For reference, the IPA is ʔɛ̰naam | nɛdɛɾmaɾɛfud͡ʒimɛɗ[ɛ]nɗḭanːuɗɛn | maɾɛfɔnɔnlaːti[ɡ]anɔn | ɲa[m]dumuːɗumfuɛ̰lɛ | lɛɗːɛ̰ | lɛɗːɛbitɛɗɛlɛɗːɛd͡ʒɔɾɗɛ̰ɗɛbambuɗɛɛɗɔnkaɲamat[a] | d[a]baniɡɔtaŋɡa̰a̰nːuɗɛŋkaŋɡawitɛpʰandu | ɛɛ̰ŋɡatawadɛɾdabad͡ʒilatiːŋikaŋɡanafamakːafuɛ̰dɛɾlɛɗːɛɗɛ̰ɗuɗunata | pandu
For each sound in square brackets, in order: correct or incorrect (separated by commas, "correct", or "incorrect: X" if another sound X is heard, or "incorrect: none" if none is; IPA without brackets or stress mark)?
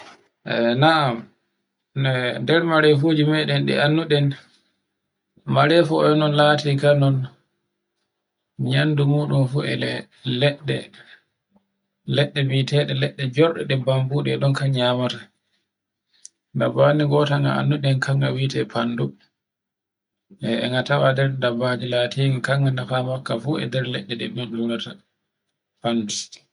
correct, incorrect: k, incorrect: n, correct, correct